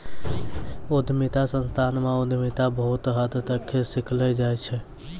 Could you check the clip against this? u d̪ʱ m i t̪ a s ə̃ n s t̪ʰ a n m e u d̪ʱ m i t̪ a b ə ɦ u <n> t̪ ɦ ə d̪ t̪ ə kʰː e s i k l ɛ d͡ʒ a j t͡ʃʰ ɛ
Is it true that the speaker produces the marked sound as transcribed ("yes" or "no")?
no